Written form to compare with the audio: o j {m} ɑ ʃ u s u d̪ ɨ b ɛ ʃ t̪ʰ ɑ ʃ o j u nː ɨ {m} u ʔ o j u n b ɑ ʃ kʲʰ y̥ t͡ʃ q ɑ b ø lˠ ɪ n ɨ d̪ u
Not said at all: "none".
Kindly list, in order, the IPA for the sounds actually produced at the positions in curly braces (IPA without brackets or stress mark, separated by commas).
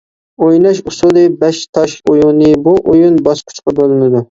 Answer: n, b